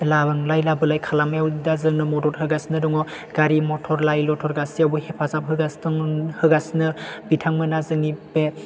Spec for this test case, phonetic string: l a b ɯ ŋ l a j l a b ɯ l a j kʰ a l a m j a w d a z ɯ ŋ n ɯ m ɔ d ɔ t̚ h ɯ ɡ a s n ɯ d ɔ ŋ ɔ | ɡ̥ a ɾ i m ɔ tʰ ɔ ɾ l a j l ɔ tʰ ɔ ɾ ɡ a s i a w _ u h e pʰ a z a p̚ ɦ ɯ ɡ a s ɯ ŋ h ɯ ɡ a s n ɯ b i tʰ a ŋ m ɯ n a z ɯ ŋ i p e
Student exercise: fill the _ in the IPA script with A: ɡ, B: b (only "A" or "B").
B